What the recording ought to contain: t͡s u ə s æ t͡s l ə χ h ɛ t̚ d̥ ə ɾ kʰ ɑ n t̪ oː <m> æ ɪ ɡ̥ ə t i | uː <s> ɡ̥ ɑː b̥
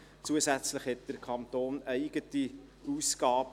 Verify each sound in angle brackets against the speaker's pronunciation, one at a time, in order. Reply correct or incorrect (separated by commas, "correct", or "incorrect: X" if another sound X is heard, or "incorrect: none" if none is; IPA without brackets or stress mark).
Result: incorrect: n, correct